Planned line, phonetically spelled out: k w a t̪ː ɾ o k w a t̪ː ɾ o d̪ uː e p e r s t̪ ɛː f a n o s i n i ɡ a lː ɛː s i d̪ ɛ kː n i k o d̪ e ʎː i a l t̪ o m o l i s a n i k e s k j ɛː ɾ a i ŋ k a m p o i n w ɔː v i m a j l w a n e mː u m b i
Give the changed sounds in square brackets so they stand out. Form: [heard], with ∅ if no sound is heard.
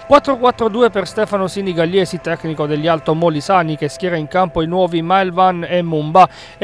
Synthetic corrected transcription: k w a t̪ː ɾ o k w a t̪ː ɾ o d̪ uː e p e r s t̪ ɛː f a n o s i n i ɡ a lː ɛː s i [t̪] ɛ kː n i k o d̪ e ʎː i a l t̪ o m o l i s a n i k e s k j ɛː ɾ a i ŋ k a m p o i n w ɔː v i m a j l [v] a n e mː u m b [a]